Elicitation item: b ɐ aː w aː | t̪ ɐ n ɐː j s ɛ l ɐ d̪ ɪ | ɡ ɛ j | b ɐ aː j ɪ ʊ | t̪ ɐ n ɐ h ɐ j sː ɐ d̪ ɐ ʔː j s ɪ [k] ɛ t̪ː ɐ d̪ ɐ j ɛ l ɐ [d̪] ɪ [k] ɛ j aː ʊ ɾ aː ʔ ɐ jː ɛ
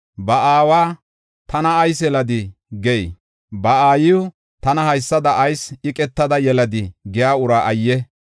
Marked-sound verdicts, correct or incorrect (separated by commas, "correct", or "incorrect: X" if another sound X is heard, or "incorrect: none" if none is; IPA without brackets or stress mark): incorrect: kʼ, correct, incorrect: ɡ